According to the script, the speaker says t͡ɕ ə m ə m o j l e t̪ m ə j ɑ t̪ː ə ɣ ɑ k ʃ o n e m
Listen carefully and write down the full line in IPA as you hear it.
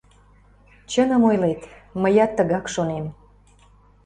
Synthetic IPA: t͡ɕ ə n ə m o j l e t̪ m ə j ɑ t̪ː ə ɣ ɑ k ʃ o n e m